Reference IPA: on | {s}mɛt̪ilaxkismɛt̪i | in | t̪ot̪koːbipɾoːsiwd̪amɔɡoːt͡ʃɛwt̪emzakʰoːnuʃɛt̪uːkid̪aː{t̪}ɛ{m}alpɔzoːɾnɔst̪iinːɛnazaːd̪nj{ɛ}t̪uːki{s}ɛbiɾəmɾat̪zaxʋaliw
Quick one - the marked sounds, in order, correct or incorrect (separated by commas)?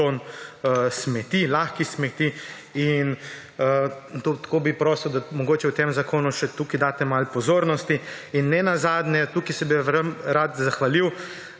correct, correct, correct, correct, correct